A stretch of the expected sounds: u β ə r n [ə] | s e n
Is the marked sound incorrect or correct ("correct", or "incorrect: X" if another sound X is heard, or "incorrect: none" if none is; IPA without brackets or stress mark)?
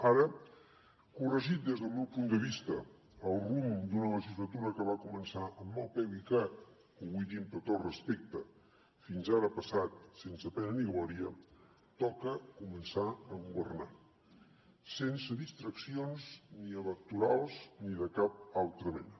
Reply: incorrect: a